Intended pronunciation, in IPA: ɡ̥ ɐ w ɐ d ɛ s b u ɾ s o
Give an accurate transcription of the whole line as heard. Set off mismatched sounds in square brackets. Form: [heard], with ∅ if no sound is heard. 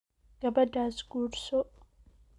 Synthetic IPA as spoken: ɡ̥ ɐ [b] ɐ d [a] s [ɡ] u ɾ s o